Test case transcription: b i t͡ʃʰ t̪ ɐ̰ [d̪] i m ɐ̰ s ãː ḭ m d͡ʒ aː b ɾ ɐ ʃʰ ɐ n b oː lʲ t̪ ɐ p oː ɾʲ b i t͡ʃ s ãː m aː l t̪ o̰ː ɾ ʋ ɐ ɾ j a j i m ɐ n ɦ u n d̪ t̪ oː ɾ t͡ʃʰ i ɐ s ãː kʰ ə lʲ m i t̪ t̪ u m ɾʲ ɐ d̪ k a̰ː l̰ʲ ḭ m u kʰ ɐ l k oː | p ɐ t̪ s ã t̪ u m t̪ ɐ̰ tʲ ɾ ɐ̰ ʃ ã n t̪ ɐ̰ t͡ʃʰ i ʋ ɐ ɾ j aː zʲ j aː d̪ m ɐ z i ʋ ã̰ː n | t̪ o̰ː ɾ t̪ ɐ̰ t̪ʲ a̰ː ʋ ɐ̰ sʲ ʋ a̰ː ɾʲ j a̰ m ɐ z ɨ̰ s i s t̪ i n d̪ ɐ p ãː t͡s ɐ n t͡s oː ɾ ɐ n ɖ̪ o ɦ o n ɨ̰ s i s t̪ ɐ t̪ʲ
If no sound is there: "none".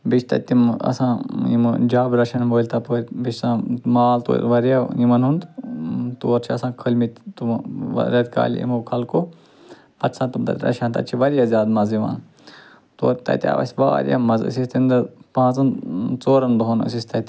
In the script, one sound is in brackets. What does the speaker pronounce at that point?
t̪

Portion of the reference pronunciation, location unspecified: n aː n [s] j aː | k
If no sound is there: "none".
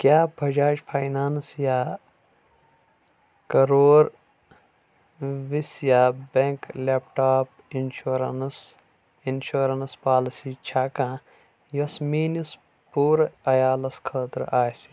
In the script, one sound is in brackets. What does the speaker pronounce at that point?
s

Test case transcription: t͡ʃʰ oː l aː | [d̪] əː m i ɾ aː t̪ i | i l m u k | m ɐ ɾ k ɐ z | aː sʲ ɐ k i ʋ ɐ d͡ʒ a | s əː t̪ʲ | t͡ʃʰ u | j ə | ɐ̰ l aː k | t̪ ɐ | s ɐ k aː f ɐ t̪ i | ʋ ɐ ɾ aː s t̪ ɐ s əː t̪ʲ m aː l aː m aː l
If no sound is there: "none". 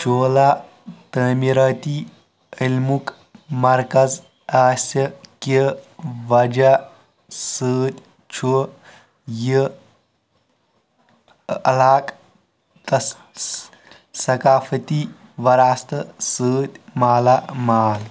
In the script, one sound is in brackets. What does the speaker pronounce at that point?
t̪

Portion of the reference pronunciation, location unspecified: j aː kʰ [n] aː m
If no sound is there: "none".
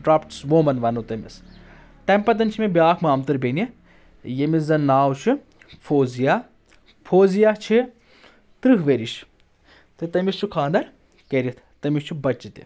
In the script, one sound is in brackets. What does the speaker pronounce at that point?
m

